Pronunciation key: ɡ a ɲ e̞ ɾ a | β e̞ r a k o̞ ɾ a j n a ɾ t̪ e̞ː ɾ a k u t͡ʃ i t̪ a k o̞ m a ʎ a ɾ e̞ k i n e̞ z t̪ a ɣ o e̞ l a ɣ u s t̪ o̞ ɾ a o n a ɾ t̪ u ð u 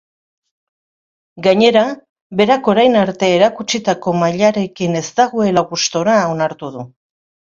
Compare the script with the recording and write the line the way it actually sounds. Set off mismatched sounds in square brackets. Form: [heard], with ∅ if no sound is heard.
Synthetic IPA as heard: ɡ a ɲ e̞ ɾ a | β e̞ [ɾ] a k o̞ ɾ a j n a ɾ t̪ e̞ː ɾ a k u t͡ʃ i t̪ a k o̞ m a ʎ a ɾ e̞ k i n e̞ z t̪ a ɣ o e̞ l a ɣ u s t̪ o̞ ɾ a o n a ɾ t̪ u ð u